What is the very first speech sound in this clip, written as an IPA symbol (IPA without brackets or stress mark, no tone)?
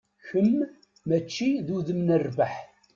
ç